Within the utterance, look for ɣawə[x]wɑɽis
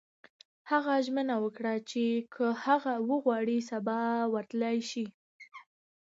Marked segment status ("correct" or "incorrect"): incorrect